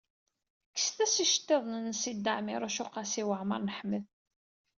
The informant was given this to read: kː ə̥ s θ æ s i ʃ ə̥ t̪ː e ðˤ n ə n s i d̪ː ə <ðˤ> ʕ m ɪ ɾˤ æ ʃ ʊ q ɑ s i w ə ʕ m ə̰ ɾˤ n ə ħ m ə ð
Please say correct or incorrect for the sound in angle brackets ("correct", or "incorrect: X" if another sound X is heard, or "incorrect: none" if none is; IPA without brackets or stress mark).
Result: incorrect: none